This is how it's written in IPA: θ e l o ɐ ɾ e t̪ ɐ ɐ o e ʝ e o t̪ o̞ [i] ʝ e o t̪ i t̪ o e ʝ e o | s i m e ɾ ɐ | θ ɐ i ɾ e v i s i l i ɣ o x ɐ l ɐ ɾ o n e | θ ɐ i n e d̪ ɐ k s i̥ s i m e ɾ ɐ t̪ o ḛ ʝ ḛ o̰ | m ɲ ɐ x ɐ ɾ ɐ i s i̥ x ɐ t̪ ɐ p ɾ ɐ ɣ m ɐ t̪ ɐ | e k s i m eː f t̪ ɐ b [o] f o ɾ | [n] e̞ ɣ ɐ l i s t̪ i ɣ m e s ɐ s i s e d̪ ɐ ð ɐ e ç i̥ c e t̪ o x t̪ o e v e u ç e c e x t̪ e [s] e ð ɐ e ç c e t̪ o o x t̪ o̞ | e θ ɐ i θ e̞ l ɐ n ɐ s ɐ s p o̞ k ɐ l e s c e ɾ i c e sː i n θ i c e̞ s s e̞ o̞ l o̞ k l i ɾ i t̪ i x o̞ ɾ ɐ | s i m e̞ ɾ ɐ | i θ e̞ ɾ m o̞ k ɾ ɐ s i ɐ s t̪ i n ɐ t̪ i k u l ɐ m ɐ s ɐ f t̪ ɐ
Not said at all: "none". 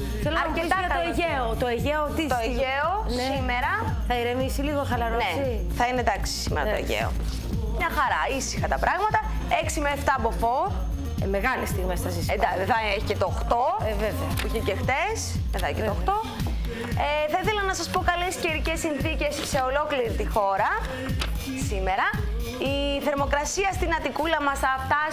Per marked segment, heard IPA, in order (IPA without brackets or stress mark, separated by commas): e, o, m, s